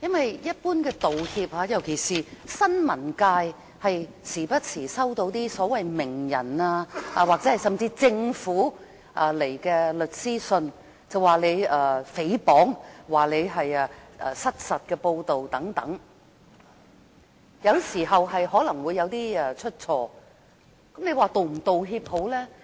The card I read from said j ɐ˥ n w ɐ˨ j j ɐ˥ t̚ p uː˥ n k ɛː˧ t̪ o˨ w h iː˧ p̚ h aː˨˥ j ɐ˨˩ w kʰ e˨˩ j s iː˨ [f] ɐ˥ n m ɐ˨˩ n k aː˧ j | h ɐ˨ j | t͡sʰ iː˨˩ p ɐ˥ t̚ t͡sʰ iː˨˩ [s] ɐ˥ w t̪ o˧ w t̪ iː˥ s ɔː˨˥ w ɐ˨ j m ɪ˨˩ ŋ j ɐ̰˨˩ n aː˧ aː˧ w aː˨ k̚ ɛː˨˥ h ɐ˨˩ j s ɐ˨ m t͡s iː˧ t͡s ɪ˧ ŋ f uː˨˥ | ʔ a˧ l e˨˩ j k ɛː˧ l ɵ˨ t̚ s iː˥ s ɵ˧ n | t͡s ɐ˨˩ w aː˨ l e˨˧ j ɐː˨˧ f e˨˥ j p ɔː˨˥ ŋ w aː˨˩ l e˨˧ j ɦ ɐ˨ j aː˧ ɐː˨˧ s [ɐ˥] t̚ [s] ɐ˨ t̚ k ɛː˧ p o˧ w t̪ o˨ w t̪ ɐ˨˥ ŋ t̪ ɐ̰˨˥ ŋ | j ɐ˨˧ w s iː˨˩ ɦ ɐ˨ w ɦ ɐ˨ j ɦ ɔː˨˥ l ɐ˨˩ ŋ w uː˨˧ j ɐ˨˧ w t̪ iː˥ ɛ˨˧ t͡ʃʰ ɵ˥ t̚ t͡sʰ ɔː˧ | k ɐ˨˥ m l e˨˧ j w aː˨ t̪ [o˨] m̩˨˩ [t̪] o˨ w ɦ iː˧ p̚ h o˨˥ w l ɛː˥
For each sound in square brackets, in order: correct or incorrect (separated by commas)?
incorrect, correct, correct, correct, correct, correct